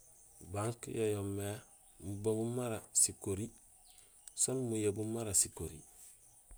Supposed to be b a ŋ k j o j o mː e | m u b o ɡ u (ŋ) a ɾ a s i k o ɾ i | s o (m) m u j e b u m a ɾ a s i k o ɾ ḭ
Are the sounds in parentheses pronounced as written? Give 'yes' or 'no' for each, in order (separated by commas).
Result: no, no